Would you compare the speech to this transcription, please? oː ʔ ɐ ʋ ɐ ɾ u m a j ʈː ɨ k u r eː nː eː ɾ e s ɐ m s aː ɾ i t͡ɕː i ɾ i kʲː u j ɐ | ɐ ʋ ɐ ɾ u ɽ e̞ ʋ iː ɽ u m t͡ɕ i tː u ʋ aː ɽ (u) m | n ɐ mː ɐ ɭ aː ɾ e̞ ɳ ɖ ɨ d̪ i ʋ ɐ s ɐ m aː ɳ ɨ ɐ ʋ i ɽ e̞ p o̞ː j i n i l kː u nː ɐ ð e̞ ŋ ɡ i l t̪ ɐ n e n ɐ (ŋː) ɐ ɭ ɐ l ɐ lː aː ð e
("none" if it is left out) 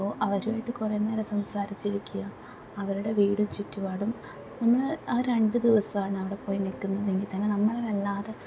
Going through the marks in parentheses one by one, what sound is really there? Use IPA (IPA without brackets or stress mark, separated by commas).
u, mː